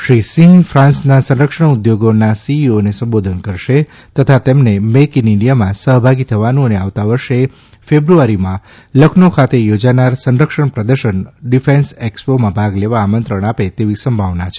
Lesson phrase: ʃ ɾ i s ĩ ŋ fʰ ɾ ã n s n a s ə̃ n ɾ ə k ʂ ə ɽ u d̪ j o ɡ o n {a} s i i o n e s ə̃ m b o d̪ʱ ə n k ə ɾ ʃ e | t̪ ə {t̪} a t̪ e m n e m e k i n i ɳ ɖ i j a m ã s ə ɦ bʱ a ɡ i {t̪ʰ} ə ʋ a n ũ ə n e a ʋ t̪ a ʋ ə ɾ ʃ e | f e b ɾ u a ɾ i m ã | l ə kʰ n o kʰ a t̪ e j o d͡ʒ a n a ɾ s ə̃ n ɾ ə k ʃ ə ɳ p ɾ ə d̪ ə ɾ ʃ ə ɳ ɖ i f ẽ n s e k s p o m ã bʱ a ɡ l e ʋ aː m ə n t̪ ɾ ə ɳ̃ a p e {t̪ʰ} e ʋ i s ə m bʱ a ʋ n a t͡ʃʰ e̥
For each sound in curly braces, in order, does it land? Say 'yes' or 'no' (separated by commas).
yes, no, yes, no